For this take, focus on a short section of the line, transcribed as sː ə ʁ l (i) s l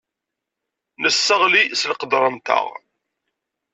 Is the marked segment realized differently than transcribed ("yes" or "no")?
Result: no